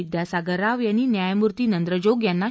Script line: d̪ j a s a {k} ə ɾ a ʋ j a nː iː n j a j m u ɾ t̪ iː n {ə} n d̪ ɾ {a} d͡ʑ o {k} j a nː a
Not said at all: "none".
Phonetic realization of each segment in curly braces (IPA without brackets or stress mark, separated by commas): ɡ, ə, ə, ɡ